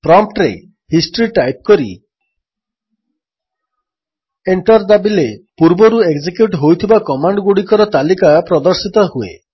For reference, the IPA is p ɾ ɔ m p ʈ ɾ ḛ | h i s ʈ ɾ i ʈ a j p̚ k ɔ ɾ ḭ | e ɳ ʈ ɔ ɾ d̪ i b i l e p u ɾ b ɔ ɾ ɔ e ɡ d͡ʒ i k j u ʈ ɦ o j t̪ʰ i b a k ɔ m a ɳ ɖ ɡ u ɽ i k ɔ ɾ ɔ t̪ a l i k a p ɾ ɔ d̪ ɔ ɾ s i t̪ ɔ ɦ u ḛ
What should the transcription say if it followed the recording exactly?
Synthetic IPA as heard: p ɾ ɔ m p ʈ ɾ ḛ | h i s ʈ ɾ i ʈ a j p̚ k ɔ ɾ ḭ | e ɳ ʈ ɔ ɾ d̪ a b i l e p u ɾ b ɔ ɾ u e ɡ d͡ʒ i k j u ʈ ɦ o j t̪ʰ i b a k ɔ m a ɳ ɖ ɡ u ɽ i k ɔ ɾ ɔ t̪ a l i k a p ɾ ɔ d̪ ɔ ɾ s i t̪ ɔ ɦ u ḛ

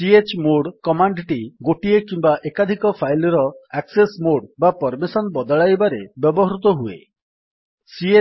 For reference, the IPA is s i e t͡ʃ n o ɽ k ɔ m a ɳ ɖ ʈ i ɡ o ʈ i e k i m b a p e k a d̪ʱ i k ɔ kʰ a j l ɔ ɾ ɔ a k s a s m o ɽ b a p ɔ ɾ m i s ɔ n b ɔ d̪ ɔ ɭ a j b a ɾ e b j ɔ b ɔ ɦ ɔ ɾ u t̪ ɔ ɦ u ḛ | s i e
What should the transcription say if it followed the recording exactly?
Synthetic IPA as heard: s i e t͡ʃ m o ɽ k ɔ m a ɳ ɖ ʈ i ɡ o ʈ i e k i m b a ʔ e k a d̪ʱ i k ɔ pʰ a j l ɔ ɾ ɔ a k s e s m o ɽ b a p ɔ ɾ m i s ɔ n b ɔ d̪ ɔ ɭ a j b a ɾ e b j ɔ b ɔ ɦ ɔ ɾ u t̪ ɔ ɦ u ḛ | s i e

